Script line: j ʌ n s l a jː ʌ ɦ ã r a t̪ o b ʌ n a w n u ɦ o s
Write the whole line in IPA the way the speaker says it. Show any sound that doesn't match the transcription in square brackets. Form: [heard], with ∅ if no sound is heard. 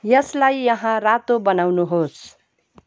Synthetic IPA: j ʌ [∅] s l a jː ʌ ɦ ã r a t̪ o b ʌ n a w n u ɦ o s

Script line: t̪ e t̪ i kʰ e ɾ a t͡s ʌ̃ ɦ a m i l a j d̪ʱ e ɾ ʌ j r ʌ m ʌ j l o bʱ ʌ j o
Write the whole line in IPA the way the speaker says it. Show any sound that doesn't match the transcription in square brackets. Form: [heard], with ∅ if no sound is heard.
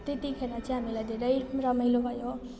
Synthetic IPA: t̪ e t̪ i kʰ e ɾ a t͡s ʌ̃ ɦ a m i l a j d̪ʱ e ɾ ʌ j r ʌ m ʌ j l o bʱ ʌ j o

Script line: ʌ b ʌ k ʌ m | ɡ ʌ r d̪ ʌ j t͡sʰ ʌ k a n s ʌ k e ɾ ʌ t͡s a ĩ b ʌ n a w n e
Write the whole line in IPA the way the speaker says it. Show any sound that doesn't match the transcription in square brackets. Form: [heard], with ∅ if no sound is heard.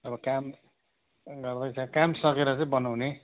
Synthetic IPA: ʌ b ʌ k [a] m | ɡ ʌ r d̪ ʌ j t͡sʰ ʌ k a [m] s ʌ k e ɾ ʌ t͡s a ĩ b ʌ n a w n e

